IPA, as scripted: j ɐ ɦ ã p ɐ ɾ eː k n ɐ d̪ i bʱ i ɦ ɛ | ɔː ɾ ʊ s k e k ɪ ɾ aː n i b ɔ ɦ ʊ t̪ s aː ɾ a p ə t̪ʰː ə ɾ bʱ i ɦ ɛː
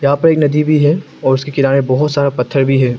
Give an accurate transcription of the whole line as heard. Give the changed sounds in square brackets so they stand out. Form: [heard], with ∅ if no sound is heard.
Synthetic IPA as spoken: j ɐ ɦ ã p ɐ ɾ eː k n ɐ d̪ i bʱ i ɦ ɛ | ɔː ɾ ʊ s k e k ɪ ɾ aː n [e] b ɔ ɦ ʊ t̪ s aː ɾ a p [ɐ] t̪ʰː ə ɾ bʱ i ɦ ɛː